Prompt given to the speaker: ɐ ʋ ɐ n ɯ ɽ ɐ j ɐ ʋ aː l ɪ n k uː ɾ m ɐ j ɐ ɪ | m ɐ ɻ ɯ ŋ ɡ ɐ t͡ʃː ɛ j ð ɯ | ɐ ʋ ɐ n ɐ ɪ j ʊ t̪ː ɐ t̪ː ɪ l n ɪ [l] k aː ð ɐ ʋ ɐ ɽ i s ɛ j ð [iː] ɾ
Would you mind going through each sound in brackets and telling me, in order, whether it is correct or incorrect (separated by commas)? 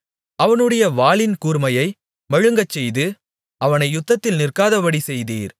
incorrect, correct